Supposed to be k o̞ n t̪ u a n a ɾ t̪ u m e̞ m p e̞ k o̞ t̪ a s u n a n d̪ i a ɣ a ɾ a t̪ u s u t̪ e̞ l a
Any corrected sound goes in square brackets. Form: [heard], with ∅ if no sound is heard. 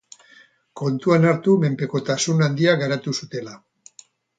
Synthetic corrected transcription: k o̞ n t̪ u a n a ɾ t̪ u m e̞ m p e̞ k o̞ t̪ a s u n a n d̪ i a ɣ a ɾ a t̪ u s u t̪ e̞ l a